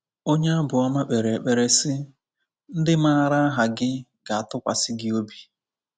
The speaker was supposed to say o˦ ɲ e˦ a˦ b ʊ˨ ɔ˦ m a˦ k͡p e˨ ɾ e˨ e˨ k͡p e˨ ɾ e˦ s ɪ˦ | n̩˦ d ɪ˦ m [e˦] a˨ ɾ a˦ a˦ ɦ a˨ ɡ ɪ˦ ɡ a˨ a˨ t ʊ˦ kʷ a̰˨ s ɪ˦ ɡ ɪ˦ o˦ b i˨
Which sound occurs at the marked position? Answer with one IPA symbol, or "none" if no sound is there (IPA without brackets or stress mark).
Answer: a˦